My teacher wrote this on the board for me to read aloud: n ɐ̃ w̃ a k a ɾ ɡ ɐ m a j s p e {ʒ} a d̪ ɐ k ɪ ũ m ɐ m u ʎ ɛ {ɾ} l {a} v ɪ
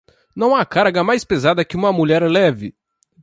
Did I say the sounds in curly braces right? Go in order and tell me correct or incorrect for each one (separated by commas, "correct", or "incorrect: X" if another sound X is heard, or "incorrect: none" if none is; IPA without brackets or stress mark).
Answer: incorrect: z, correct, incorrect: ɛ